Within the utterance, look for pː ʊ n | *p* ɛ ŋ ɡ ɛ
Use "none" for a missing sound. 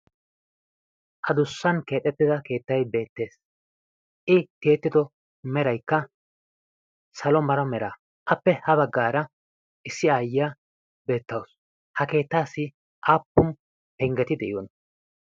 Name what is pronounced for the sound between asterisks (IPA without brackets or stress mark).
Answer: p